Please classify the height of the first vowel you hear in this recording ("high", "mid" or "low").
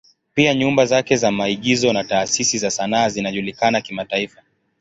high